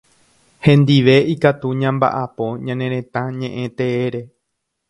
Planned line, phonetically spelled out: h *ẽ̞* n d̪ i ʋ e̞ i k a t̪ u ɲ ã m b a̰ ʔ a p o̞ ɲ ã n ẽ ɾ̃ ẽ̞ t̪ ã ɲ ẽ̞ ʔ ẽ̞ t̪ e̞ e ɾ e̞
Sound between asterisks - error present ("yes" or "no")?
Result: no